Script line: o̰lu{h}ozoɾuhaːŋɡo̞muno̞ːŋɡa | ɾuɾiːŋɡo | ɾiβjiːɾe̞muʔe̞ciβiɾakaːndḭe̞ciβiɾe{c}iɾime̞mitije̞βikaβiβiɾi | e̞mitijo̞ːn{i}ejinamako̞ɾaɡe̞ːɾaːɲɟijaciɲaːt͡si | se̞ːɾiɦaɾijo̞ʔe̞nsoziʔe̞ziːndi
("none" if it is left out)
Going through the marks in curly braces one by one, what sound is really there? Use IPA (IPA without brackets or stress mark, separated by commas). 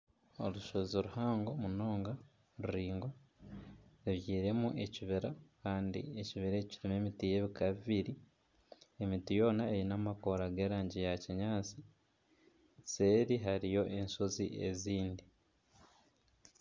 ʃ, c, a